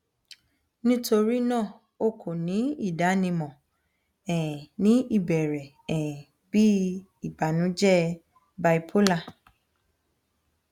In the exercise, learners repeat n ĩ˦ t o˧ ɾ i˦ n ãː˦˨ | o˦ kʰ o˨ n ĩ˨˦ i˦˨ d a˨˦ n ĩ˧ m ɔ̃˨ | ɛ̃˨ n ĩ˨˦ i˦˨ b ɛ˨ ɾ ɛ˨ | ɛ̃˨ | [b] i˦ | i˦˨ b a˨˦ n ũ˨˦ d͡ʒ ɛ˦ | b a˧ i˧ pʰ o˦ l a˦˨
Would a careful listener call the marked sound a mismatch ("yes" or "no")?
no